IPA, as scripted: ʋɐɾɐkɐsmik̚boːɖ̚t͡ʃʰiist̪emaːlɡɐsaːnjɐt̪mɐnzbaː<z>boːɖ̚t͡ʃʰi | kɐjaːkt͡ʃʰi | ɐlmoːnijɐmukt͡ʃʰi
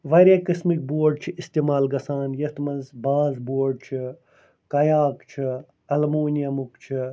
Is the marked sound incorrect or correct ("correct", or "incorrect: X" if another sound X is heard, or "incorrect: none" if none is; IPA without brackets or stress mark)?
correct